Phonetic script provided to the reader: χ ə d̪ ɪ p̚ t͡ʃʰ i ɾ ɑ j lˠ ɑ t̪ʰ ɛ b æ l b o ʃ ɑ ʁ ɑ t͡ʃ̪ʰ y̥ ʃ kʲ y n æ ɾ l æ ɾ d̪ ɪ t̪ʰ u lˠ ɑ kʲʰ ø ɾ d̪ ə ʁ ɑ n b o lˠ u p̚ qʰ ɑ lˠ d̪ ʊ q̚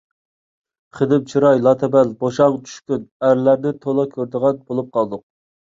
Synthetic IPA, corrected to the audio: χ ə d̪ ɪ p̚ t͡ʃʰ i ɾ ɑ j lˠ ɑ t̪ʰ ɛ b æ l b o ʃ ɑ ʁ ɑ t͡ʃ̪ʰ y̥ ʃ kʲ y n æ ɾ l æ ɾ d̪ ɪ t̪ʰ o lˠ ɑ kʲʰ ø ɾ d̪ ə ʁ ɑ n b o lˠ u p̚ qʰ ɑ lˠ d̪ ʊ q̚